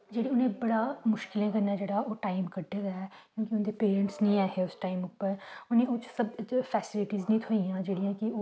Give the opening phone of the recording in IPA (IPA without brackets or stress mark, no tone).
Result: d͡ʒ